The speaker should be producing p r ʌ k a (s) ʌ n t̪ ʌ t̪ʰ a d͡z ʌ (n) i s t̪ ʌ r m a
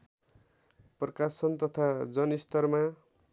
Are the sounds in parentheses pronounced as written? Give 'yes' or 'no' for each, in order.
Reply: yes, yes

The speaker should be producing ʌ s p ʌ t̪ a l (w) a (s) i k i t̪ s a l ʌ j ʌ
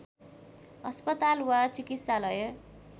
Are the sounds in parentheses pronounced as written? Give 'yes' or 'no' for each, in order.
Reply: yes, no

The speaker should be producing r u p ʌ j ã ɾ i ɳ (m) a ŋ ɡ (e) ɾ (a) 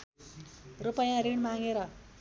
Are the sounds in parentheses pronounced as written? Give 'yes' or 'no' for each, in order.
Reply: yes, yes, no

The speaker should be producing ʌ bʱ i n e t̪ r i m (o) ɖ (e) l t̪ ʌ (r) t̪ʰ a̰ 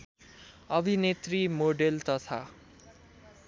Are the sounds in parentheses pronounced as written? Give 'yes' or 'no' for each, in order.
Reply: yes, yes, no

